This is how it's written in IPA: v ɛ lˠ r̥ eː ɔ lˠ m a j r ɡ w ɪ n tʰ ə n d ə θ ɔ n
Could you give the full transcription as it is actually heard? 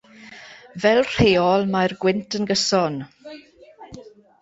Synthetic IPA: v ɛ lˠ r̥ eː ɔ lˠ m a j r ɡ w ɪ n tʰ ə n ɡ ə s ɔ n

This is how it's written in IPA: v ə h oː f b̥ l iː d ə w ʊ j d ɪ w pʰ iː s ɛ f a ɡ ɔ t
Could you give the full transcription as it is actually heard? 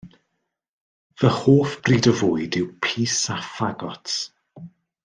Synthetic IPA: v ə h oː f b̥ r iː d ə v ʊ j d ɪ w pʰ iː s a f a ɡ ɔ t

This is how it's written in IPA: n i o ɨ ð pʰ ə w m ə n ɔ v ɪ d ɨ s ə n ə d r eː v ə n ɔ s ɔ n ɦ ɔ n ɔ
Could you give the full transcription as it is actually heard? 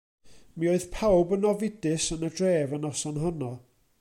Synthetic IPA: m i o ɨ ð pʰ a w b ə n ɔ v ɪ d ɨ s ə n ə d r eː v ə n ɔ s ɔ n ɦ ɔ n ɔ

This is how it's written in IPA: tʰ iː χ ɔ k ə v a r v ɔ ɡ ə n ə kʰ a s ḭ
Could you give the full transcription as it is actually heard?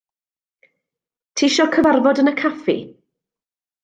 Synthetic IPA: tʰ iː ʃ ɔ kʰ ə v a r v ɔ d ə n ə kʰ a f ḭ

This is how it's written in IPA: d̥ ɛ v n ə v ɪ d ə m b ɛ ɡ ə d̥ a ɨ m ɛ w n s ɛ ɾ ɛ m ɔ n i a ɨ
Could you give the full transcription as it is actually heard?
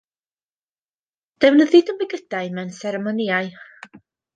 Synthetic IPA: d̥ ɛ w n ə ð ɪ d ə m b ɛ ɡ ə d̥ a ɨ m ɛ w n s ɛ ɾ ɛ m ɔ n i a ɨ

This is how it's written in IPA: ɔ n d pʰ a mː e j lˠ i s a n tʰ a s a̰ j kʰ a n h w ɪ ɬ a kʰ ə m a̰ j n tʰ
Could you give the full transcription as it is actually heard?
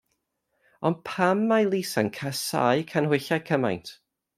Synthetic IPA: ɔ n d pʰ a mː a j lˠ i s a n kʰ a s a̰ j kʰ a n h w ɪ ɬ a kʰ ə m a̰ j n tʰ

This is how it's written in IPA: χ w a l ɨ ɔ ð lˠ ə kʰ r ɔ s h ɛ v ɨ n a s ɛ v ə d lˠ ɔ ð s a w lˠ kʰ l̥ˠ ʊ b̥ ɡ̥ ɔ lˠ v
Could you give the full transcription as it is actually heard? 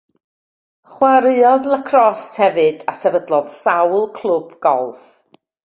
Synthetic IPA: χ w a ɾ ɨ ɔ ð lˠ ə kʰ r ɔ s h ɛ v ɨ d a s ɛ v ə d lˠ ɔ ð s a w lˠ kʰ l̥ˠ ʊ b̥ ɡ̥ ɔ lˠ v

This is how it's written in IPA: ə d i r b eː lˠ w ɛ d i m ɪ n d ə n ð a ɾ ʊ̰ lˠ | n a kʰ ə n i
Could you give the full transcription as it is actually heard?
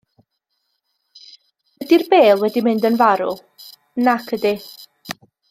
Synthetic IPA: ə d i r b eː lˠ w ɛ d i m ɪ n d ə n v a ɾ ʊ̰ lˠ | n a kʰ ə d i

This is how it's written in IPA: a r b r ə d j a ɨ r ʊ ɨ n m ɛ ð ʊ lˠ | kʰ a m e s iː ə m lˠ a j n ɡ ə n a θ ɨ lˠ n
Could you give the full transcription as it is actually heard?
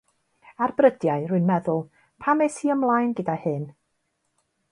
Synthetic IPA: a r b r ə d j a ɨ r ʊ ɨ n m ɛ ð ʊ lˠ | pʰ a m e s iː ə m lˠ a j n ɡ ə d a h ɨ n

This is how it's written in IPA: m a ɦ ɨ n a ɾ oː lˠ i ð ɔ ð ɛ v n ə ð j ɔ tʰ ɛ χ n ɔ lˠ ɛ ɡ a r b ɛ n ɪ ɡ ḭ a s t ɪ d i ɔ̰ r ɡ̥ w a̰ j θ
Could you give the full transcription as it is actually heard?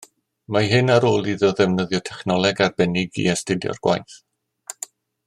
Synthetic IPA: m a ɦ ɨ n a ɾ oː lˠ i ð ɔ ð ɛ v n ə ð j ɔ tʰ ɛ χ n ɔ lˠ ɛ ɡ a r b ɛ n ɪ ɡ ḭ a s t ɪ d j ɔ̰ r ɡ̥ w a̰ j θ

